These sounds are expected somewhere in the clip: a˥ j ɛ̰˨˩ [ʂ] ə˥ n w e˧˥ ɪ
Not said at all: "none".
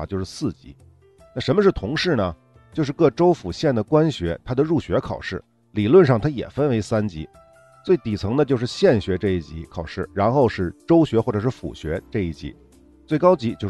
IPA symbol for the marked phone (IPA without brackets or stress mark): f